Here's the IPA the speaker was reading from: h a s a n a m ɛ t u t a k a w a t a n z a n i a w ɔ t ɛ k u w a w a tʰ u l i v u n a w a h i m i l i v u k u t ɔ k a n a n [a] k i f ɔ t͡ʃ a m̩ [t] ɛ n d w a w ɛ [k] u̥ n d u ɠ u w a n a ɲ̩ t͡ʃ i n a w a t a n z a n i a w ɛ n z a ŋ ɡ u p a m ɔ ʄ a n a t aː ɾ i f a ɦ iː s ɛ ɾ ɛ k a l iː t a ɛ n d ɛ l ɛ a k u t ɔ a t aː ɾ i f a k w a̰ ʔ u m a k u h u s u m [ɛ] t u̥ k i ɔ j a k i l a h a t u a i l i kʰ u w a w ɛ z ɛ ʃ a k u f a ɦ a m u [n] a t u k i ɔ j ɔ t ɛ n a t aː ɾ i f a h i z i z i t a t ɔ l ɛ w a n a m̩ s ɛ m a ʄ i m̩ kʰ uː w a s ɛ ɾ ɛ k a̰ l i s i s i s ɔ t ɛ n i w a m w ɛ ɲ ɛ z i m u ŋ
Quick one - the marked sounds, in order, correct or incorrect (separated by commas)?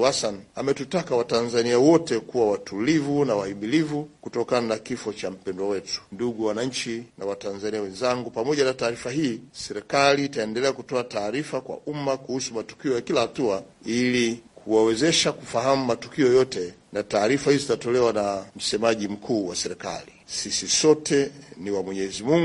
correct, incorrect, incorrect, incorrect, incorrect